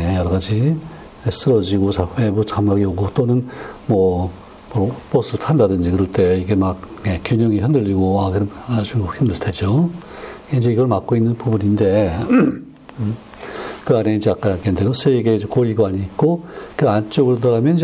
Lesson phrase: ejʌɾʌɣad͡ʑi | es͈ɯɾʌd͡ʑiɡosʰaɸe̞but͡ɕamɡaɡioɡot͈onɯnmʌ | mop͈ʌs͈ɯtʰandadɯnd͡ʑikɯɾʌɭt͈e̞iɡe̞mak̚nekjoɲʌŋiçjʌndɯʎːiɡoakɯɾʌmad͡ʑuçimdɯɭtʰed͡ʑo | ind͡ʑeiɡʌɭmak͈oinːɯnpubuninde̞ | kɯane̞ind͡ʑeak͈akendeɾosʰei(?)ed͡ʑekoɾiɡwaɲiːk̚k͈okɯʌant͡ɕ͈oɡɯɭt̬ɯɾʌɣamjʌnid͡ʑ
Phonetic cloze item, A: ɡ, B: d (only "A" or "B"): A